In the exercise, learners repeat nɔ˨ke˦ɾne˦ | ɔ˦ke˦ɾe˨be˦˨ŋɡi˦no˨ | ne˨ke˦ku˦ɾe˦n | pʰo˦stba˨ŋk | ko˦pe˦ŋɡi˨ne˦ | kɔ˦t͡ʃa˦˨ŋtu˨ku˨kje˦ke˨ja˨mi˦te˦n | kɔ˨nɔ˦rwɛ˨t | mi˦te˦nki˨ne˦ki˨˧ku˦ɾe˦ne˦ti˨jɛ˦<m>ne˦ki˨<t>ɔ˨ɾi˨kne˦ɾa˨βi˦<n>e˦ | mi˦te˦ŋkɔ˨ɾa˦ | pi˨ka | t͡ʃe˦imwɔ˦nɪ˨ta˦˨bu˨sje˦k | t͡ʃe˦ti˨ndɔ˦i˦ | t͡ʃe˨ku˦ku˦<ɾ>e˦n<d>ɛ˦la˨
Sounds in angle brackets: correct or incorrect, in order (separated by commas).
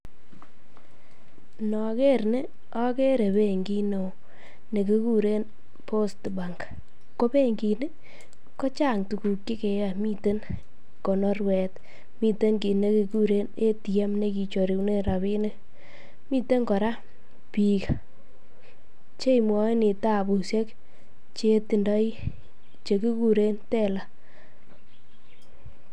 correct, incorrect, correct, correct, incorrect